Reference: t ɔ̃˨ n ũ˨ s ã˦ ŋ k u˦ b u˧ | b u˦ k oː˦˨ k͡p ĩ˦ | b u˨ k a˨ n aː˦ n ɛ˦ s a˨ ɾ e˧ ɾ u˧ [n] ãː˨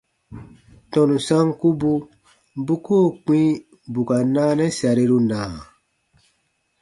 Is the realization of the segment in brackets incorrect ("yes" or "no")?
no